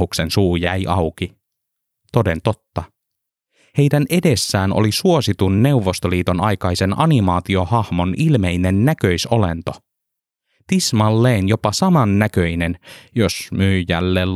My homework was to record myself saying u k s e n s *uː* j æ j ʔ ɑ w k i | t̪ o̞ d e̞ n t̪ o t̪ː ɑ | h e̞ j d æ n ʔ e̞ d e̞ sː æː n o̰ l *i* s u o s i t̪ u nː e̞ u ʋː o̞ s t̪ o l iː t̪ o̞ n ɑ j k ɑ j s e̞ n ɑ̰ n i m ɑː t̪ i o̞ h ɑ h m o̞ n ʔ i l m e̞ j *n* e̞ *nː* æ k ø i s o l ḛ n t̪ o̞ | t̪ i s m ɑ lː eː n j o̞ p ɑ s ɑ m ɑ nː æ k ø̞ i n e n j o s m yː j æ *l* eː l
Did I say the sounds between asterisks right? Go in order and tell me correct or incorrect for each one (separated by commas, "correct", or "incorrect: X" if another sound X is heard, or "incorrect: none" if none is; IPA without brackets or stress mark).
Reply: correct, correct, correct, correct, incorrect: lː